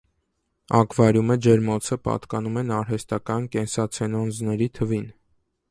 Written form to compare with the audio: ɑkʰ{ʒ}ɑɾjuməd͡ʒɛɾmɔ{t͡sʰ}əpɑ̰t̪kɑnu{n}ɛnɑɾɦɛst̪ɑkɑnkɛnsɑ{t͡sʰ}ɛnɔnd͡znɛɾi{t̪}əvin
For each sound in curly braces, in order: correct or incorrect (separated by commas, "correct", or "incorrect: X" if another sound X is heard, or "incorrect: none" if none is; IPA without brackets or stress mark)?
incorrect: v, correct, incorrect: m, correct, incorrect: t̪ʰ